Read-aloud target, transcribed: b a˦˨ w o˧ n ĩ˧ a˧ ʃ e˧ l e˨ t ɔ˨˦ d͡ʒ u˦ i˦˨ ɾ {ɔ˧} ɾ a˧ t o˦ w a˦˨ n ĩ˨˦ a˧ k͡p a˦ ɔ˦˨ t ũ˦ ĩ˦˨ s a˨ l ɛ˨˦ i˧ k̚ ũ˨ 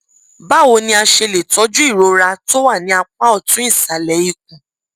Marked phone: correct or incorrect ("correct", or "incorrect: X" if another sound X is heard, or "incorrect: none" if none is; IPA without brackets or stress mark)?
incorrect: o˧